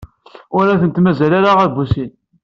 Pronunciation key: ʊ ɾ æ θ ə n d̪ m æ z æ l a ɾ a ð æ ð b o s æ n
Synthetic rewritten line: ʊ ɾ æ θ ə n t̪ m æ z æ l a ɾ a ʁ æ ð b u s i n